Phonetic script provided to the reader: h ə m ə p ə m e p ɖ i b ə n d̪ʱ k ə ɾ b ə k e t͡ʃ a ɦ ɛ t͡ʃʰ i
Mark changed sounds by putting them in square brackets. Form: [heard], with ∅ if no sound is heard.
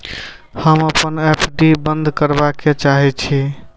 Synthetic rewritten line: h ə m ə p ə [n] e p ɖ i b ə n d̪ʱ k ə ɾ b [a] k e t͡ʃ a ɦ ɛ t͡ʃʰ i